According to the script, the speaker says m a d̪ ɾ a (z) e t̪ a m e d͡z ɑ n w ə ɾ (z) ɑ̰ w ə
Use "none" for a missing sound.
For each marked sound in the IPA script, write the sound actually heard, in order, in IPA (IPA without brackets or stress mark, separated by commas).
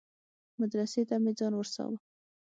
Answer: s, s